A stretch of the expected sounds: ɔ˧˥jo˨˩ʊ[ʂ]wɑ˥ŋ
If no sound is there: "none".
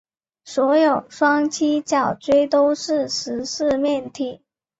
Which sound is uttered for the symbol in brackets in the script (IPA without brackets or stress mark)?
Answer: ʂ